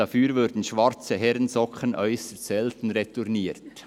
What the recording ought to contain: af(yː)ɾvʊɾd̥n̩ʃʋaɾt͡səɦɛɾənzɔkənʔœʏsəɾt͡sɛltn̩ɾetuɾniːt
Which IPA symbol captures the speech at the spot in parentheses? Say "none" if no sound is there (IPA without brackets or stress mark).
yː